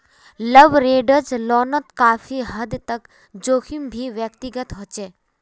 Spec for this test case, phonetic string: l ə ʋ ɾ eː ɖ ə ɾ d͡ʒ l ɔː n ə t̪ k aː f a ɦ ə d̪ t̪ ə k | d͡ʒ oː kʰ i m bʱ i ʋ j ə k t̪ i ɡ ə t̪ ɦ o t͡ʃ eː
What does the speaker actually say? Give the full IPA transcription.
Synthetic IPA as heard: l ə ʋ ɾ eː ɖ ə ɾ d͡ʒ l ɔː n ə t̪ k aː f i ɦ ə d̪ t̪ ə k | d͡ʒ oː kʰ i m bʱ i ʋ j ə k t̪ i ɡ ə t̪ ɦ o t͡ʃ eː

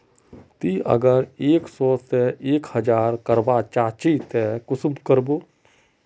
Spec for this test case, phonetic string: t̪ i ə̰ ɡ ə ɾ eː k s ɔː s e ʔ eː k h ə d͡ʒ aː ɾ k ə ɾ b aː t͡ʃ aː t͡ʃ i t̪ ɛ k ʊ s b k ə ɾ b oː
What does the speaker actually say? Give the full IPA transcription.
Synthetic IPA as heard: t̪ i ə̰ ɡ ə ɾ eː k s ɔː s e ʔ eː k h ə d͡ʒ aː ɾ k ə ɾ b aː t͡ʃ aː t͡ʃ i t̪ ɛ k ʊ s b k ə ɾ b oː

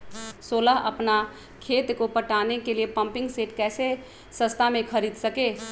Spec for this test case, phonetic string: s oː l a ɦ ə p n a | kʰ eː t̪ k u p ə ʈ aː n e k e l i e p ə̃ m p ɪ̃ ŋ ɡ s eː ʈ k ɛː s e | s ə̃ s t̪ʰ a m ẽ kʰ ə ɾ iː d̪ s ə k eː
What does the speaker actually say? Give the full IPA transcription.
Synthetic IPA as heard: s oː l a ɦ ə p n a | kʰ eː t̪ k o p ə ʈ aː n e k e l i e p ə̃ m p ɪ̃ ŋ ɡ s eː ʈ k ɛː s e | s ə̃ s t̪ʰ a m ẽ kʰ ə ɾ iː d̪ s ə k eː

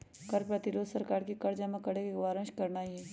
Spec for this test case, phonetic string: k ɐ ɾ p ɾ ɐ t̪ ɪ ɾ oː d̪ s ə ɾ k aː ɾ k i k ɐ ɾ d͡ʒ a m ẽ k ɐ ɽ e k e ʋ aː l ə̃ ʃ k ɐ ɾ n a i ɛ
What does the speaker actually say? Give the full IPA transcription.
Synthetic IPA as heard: k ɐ ɾ p ɾ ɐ t̪ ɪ ɾ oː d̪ s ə ɾ k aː ɾ k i k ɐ ɾ d͡ʒ a m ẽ k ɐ ɽ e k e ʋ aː ɾ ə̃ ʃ k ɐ ɾ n a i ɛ

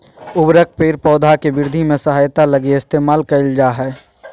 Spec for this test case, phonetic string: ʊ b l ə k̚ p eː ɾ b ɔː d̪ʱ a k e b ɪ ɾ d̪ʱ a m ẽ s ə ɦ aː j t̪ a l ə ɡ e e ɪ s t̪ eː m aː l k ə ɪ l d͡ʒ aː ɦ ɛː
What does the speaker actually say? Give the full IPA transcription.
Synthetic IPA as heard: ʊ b ɾ ə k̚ p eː ɾ p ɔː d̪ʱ a k e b ɪ ɾ d̪ʱ i m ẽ s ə ɦ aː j t̪ a l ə ɡ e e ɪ s t̪ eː m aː l k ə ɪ l d͡ʒ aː ɦ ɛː

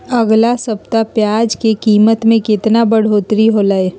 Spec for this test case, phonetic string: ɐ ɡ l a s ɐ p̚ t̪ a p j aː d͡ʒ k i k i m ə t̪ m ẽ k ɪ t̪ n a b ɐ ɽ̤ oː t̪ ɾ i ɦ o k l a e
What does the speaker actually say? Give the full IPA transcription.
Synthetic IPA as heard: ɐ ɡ l a s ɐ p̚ t̪ a p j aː d͡ʒ k e k iː m ə t̪ m ẽ k ɪ t̪ n a b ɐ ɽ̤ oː t̪ ɾ i ɦ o l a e

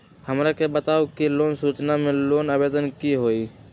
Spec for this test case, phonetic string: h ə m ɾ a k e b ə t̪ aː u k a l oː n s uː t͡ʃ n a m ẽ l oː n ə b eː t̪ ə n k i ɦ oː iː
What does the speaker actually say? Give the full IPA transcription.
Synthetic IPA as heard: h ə m ɾ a k e b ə t̪ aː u k i l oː n s uː t͡ʃ n a m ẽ l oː n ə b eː d̪ ə n k i ɦ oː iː

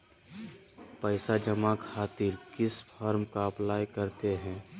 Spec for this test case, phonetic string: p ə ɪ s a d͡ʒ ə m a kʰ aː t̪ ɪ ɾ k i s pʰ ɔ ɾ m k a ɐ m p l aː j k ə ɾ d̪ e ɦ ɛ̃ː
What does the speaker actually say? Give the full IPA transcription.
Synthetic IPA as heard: p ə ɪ s a d͡ʒ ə m a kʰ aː t̪ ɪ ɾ k ɪ s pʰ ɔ ɾ m k a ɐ p l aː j k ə ɾ t̪ e ɦ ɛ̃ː

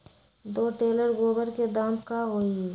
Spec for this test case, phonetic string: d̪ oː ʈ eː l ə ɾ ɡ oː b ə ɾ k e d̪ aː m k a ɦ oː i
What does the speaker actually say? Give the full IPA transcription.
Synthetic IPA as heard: d̪ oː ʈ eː l ə ɾ ɡ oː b ə ɾ k e d̪ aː m k a ɦ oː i

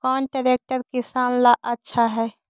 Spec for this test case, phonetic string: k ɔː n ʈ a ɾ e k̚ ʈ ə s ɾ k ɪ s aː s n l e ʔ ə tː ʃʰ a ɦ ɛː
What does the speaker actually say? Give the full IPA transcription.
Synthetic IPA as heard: k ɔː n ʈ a ɾ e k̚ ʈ ə ɾ k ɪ s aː n l a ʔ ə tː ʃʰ a ɦ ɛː

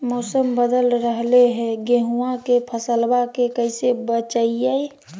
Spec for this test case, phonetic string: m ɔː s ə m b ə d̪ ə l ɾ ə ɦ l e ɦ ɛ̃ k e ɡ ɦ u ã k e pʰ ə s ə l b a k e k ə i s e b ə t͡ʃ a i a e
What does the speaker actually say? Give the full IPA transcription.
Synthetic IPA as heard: m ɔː s ə m b ə d̪ ə l ɾ ə ɦ l e ɦ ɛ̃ ɡ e ɦ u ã k e pʰ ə s ə l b a k e k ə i s e b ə t͡ʃ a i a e

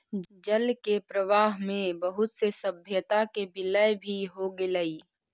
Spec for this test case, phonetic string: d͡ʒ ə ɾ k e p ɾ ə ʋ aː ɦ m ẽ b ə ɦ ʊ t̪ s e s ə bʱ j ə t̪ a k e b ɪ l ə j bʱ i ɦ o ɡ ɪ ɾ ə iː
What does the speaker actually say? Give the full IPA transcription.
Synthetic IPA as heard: d͡ʒ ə l k e p ɾ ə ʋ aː ɦ m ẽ b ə ɦ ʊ t̪ s e s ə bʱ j ə t̪ a k e b ɪ l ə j bʱ i ɦ o ɡ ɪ l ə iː

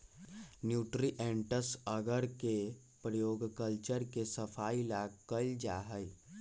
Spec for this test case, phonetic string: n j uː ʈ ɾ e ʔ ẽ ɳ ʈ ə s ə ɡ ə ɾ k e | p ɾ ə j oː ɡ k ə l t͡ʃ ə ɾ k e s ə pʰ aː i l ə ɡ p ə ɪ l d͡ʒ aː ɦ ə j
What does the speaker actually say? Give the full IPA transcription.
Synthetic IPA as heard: n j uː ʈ ɾ i ʔ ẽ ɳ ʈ ə s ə ɡ ə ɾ k e | p ɾ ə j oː ɡ k ə l t͡ʃ ə ɾ k e s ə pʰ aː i l a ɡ k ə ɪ l d͡ʒ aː ɦ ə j

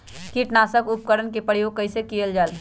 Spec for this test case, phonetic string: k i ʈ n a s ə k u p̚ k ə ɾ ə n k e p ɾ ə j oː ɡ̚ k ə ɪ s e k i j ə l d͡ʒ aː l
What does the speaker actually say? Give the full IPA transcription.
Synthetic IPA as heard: k i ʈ n a s ə k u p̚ k ə ɾ ə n k e p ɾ ə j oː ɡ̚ k ə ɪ s e k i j ə l d͡ʒ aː l

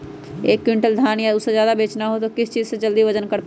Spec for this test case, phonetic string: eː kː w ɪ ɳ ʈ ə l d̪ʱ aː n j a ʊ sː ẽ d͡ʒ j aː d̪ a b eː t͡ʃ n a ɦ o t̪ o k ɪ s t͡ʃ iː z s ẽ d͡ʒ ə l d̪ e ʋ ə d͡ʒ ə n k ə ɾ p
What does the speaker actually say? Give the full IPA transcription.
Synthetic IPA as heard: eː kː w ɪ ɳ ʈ ə l d̪ʱ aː n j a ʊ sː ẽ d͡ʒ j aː d̪ a b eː t͡ʃ n a ɦ o t̪ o k ɪ s t͡ʃ iː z s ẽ d͡ʒ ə l d̪ i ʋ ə d͡ʒ ə n k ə ɾ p

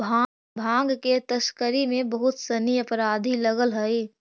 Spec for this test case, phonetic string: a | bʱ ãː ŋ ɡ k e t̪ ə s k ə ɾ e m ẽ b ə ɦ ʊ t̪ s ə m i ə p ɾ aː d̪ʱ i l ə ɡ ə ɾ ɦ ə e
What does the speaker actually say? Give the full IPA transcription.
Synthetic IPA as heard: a | bʱ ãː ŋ ɡ k e t̪ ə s k ə ɾ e m ẽ b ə ɦ ʊ t̪ s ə n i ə p ɾ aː d̪ʱ i l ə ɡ ə l ɦ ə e

